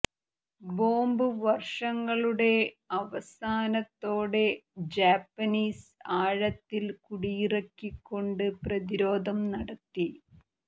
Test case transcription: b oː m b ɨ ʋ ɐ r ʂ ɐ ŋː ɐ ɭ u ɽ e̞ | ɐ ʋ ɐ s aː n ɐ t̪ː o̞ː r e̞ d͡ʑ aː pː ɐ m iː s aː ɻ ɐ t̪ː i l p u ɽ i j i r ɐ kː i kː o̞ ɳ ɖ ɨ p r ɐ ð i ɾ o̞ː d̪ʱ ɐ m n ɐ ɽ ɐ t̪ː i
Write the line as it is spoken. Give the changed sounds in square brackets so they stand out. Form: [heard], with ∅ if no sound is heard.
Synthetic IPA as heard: b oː m b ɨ ʋ ɐ r ʂ ɐ ŋː ɐ ɭ u ɽ e̞ | ɐ ʋ ɐ s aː n ɐ t̪ː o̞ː [ɽ] e̞ d͡ʑ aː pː ɐ [n] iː s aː ɻ ɐ t̪ː i l [k] u ɽ i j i r ɐ kː i kː o̞ ɳ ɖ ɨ p r ɐ ð i ɾ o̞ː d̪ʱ ɐ m n ɐ ɽ ɐ t̪ː i